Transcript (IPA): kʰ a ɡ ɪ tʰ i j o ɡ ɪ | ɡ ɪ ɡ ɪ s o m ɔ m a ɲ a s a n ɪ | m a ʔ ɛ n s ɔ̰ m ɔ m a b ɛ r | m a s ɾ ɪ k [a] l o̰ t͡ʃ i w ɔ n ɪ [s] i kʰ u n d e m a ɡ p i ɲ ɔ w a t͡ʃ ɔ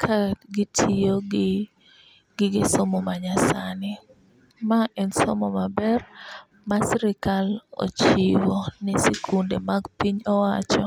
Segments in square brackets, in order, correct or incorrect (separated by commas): correct, correct